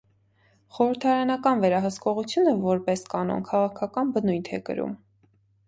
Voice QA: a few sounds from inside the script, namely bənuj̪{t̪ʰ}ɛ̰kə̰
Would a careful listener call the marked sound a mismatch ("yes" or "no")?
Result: no